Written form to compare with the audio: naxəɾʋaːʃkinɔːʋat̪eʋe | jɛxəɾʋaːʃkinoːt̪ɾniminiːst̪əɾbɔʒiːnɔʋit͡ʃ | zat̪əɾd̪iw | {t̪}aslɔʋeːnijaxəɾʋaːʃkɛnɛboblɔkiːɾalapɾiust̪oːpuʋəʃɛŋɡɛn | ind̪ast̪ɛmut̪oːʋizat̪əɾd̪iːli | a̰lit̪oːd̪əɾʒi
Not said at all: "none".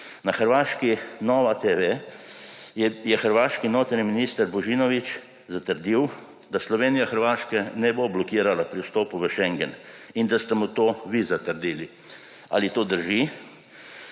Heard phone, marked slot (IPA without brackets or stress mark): d̪